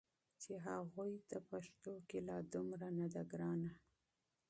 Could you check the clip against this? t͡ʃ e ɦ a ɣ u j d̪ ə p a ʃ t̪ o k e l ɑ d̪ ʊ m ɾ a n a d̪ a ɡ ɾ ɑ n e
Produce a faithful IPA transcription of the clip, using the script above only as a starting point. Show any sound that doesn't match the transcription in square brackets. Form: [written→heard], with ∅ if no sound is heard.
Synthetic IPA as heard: t͡ʃ e ɦ a ɣ u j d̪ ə p a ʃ t̪ o k e l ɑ d̪ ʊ m ɾ a n a d̪ a ɡ ɾ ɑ n [e→a]

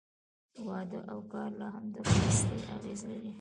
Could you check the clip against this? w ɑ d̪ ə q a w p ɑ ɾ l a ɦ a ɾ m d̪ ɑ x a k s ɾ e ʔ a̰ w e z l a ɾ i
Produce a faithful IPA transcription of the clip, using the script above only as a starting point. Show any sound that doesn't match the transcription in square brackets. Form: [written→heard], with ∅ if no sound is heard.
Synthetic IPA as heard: w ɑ d̪ ə [q→ʔ] a w [p→k] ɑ ɾ l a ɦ a [ɾ→∅] m d̪ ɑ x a [k→∅] s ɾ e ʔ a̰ [w→ɣ] e z l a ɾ i

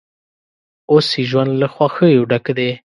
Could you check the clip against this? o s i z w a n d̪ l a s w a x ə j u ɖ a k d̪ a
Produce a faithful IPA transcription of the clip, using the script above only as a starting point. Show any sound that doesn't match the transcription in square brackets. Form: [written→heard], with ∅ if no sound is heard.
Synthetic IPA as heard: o s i [z→ʒ] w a n d̪ l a [s→x] w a x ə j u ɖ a k d̪ [a→e]

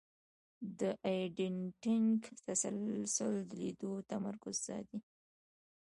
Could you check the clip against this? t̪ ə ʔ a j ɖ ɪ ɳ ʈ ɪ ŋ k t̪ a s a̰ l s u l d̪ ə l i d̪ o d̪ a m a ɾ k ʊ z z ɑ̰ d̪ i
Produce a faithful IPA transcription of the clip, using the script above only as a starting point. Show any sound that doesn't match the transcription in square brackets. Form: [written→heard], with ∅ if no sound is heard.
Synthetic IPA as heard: [t̪→d̪] ə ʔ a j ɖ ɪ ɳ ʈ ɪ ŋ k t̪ a s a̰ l s [u→ʊ] l d̪ ə l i d̪ o [d̪→t̪] a m a ɾ k ʊ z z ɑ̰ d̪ i

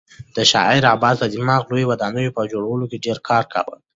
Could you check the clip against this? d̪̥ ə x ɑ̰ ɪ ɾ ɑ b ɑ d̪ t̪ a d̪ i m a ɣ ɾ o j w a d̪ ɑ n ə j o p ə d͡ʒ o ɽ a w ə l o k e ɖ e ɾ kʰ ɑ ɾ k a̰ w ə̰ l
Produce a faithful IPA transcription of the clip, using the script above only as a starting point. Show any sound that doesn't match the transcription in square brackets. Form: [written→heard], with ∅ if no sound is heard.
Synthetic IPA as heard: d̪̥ ə [x→ʃ] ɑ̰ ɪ ɾ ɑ b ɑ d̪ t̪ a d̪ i m [a→ɑ] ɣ [ɾ→l] o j w a d̪ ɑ n ə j o p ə d͡ʒ o ɽ a w ə l o k e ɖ e ɾ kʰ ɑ ɾ k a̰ w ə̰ l

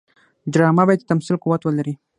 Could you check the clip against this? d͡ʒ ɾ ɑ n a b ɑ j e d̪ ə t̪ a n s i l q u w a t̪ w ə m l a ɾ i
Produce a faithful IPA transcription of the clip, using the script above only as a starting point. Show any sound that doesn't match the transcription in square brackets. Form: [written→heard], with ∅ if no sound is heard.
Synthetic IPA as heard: d͡ʒ ɾ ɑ [n→m] a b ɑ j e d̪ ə t̪ a [n→m] s i l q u w a t̪ w ə [m→∅] l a ɾ i

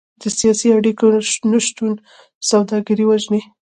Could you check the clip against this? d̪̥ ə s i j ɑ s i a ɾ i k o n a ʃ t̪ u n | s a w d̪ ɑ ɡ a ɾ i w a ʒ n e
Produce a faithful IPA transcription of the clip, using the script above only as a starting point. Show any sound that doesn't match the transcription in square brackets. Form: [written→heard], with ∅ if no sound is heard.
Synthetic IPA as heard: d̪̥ ə s i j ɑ s i a [ɾ→ɽ] i k o n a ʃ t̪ u n | s a w d̪ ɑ ɡ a ɾ i w a ʒ n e

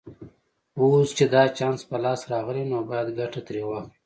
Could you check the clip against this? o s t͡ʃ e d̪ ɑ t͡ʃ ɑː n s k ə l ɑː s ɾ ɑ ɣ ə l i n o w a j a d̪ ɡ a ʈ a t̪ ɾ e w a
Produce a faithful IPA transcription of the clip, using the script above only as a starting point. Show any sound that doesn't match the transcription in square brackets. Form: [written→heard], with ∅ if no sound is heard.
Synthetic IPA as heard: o s t͡ʃ e d̪ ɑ t͡ʃ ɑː n s [k→p] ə l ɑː s ɾ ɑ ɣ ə l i n o [w→b] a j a d̪ ɡ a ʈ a t̪ ɾ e w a

